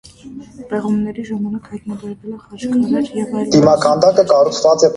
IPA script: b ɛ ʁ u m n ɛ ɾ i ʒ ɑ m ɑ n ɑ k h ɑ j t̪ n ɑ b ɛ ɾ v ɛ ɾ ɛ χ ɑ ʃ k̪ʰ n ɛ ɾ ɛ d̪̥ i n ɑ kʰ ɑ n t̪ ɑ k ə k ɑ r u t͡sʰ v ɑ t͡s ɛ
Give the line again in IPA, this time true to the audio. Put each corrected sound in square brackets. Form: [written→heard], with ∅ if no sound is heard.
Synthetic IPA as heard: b ɛ ʁ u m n ɛ ɾ i ʒ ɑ m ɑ n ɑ k h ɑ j t̪ n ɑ b ɛ ɾ v ɛ [ɾ→l] ɛ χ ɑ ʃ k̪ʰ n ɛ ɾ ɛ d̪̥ i [n→m] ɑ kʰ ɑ n [t̪→d̪] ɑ k ə k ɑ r u t͡sʰ v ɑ t͡s ɛ